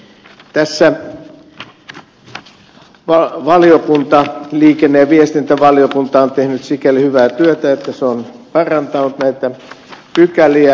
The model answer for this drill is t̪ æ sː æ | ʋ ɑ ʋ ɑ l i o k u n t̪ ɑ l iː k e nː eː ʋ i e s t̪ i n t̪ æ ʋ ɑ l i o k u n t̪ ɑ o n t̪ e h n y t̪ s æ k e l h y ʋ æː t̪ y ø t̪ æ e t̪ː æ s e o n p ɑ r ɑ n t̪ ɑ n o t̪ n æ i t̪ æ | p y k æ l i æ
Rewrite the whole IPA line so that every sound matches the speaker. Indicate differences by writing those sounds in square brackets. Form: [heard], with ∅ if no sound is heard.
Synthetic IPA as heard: t̪ æ sː æ | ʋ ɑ ʋ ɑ l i o k u n t̪ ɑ l iː k e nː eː ʋ i e s t̪ i n t̪ æ ʋ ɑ l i o k u n t̪ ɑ o n t̪ e h n y t̪ s [i] k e l h y ʋ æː t̪ y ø t̪ æ e t̪ː æ s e o n p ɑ r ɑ n t̪ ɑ n [u] t̪ n æ i t̪ æ | p y k æ l i æ